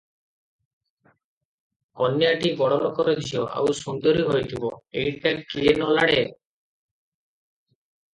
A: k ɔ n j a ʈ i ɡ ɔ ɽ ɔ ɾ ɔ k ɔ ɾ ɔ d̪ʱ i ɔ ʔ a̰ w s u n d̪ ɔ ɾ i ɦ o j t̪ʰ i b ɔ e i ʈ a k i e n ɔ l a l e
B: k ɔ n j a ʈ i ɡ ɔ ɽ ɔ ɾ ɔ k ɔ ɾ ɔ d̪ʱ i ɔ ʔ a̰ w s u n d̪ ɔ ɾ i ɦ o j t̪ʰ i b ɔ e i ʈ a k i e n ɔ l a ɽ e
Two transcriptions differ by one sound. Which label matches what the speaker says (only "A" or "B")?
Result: B